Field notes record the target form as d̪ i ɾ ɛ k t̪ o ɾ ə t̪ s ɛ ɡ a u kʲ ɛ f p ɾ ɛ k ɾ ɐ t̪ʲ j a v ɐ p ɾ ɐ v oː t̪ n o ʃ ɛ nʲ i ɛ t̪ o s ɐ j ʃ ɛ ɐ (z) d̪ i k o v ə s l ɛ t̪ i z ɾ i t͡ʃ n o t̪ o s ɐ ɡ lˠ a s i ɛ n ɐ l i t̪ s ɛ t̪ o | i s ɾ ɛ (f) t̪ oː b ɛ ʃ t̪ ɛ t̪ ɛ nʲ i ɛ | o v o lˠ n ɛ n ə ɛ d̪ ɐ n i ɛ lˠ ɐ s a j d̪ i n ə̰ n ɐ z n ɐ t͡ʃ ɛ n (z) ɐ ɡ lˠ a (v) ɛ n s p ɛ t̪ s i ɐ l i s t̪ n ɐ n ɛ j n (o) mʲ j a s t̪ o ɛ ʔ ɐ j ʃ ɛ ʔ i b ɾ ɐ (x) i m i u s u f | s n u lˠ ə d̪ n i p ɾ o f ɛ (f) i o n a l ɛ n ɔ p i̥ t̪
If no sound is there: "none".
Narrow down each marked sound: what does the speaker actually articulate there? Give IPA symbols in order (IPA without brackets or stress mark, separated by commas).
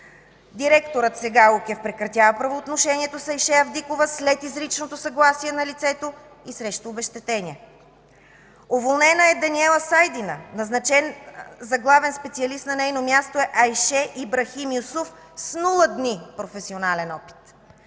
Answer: v, ʃ, z, v, o, x, s